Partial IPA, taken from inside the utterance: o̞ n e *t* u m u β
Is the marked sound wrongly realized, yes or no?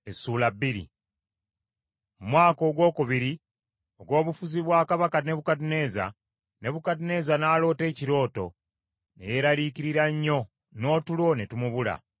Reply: no